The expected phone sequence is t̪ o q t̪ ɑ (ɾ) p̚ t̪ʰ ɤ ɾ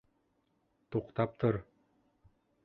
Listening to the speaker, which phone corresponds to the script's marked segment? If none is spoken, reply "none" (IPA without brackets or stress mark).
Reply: none